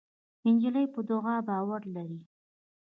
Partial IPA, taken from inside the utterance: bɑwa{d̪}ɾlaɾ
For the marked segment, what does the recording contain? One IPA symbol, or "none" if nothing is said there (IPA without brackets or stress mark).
none